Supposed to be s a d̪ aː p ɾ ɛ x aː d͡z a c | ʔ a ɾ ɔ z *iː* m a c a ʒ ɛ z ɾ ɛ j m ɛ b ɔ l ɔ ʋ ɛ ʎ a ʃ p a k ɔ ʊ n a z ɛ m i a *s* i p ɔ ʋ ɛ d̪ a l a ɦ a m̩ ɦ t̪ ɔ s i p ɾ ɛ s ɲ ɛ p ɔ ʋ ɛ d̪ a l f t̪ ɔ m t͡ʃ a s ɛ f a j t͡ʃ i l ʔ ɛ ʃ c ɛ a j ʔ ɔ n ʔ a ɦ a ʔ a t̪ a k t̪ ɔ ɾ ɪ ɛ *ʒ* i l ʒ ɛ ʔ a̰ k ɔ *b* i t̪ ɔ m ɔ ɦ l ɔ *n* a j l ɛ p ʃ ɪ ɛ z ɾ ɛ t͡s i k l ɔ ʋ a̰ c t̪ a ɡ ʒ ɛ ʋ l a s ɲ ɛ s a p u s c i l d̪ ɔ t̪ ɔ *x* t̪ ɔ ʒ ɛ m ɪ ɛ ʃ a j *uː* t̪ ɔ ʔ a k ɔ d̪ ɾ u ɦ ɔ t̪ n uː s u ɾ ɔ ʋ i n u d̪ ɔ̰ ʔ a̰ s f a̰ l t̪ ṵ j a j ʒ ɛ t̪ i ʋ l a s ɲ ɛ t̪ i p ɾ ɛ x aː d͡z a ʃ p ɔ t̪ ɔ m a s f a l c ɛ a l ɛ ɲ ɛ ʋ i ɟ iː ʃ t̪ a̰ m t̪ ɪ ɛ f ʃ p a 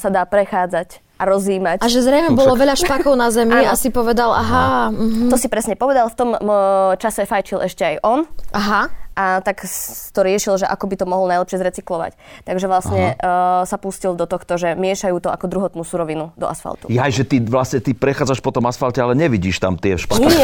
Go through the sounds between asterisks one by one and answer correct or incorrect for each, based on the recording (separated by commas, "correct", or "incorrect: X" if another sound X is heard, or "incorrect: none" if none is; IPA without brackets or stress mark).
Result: correct, correct, incorrect: ʃ, correct, correct, correct, correct